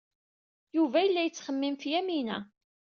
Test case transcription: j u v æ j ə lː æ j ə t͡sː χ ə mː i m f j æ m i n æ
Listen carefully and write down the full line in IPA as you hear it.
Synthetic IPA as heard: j u v æ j ə lː æ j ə t͡sː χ ə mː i m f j æ m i n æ